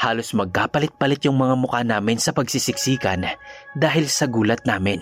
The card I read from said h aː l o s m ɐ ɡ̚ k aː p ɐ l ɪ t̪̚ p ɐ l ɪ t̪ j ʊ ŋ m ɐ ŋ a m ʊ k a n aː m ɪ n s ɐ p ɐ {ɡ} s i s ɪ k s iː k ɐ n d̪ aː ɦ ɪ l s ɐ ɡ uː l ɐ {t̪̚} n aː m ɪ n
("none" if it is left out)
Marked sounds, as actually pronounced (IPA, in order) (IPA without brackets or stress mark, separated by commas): ɡ, t̪̚